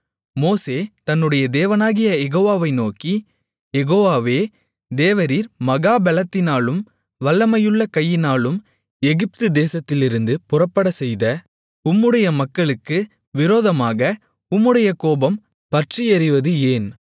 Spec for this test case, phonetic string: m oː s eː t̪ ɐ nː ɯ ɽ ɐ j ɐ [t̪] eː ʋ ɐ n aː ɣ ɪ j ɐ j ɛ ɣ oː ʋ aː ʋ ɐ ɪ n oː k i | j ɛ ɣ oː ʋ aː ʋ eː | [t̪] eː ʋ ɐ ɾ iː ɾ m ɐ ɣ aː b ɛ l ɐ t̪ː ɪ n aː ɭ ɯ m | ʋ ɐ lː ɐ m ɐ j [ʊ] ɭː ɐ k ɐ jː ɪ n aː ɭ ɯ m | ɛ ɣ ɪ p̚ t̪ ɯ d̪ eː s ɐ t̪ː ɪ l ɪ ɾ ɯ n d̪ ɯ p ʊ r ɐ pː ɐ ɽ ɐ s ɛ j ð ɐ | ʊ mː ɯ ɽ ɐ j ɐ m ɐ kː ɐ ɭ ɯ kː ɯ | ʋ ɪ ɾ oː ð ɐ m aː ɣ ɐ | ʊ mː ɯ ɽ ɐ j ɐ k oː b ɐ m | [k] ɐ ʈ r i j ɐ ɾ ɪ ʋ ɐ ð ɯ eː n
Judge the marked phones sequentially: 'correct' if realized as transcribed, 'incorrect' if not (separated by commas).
incorrect, incorrect, incorrect, incorrect